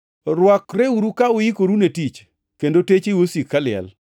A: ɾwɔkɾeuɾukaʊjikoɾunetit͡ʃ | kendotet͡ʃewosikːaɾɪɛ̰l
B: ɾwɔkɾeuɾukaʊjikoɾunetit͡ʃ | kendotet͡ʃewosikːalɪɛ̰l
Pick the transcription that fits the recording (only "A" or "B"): B